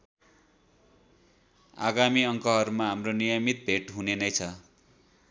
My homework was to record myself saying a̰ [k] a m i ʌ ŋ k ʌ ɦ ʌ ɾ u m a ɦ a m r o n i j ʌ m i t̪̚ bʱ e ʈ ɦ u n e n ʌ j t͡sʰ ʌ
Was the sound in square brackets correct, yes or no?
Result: no